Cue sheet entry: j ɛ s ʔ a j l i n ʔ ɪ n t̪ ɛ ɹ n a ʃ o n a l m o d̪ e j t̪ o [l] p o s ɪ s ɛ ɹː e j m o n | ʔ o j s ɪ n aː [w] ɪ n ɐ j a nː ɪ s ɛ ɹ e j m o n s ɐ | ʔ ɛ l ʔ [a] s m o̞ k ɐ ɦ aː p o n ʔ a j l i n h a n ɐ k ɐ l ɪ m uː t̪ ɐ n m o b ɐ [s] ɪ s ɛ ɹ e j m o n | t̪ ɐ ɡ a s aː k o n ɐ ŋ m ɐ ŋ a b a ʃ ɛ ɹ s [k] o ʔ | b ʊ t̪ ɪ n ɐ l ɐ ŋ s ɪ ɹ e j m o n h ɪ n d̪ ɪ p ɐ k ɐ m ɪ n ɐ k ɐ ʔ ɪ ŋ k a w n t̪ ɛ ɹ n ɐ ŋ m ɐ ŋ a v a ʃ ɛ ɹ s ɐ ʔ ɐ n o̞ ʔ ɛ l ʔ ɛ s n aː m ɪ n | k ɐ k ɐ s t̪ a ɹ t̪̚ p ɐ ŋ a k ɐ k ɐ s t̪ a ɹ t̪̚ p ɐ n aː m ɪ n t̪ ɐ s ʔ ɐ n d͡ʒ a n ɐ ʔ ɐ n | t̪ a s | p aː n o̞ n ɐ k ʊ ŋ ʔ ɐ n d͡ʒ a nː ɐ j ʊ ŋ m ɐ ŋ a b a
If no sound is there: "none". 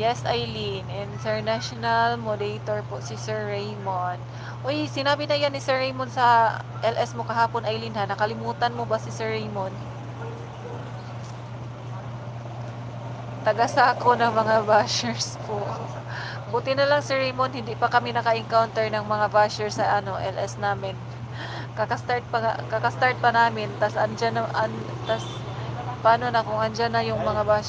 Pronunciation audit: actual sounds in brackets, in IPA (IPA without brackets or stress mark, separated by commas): ɹ, b, ɛ, s, p